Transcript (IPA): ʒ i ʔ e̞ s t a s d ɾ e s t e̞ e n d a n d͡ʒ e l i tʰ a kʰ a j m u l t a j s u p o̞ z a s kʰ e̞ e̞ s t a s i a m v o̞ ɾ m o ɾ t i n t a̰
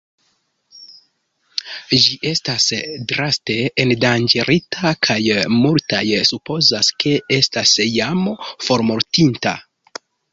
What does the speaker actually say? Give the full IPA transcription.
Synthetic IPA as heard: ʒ i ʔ e̞ s t a s d ɾ a s t e̞ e n d a n d͡ʒ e ɾ i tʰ a kʰ a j m u l t a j s u p o̞ z a s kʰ e̞ e̞ s t a s j a m f o̞ ɾ m o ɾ t i n t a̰